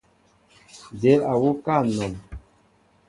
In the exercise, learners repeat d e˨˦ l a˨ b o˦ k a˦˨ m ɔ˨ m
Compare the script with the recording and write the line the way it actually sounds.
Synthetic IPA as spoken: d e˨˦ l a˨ w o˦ k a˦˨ n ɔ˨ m

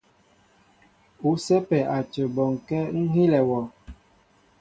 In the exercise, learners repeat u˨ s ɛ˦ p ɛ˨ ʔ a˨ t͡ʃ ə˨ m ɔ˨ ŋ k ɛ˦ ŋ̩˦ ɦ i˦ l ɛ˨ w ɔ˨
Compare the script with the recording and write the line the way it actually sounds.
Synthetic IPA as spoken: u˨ s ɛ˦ p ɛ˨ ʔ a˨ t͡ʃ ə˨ b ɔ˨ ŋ k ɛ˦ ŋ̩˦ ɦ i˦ l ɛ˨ w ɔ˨

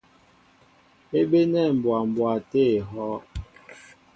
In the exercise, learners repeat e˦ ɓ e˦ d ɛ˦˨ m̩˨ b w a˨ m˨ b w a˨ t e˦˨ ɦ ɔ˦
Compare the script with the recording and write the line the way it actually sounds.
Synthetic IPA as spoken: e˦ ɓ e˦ n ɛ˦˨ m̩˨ b w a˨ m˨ b w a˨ t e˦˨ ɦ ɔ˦

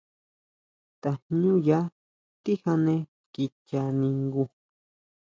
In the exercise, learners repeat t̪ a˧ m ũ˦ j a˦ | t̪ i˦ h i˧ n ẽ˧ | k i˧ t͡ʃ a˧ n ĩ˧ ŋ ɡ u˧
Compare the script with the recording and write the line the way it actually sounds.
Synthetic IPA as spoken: t̪ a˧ ɲ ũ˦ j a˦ | t̪ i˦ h a˧ n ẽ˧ | k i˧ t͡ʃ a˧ n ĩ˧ ŋ ɡ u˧

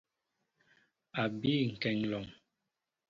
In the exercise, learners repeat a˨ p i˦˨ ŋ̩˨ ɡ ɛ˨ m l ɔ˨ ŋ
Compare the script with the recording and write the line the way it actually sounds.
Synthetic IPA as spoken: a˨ b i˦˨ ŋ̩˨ k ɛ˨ ŋ l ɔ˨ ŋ

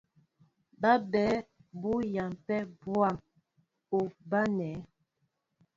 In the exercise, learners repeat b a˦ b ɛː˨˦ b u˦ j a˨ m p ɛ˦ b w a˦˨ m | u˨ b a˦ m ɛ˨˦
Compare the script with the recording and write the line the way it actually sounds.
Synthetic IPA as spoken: b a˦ b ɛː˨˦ b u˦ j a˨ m p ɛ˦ b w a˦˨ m | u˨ b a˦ n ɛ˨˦

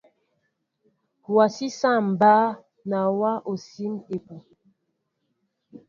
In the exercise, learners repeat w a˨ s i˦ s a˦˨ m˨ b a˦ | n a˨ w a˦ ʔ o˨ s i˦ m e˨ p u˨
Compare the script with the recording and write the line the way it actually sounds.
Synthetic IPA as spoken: w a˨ s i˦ s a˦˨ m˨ b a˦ | n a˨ w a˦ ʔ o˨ s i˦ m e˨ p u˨

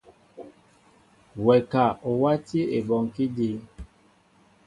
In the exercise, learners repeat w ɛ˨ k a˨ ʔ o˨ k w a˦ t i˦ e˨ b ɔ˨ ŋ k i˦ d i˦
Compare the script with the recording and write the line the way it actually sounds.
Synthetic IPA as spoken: w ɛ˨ k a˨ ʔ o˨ w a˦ t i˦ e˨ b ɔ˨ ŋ k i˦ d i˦

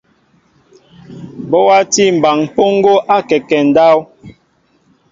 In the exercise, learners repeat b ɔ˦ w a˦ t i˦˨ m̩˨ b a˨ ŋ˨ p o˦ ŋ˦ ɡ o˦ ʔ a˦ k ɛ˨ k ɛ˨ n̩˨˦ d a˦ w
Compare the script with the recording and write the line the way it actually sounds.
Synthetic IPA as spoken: b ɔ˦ w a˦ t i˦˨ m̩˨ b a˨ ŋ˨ p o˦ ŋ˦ ɡ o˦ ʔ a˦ k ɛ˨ k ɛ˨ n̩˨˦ d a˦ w

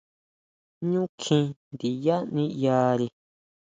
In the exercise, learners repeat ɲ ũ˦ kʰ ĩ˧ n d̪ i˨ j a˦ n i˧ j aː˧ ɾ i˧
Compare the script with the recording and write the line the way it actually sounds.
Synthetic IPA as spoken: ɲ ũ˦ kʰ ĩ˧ n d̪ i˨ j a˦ n ĩ˧ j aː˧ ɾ i˧

